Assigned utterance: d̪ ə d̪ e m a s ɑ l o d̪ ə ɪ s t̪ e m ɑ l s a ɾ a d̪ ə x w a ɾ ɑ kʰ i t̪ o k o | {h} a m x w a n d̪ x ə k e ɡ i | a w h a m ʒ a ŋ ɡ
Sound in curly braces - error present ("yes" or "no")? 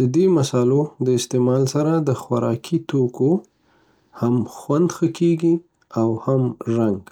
no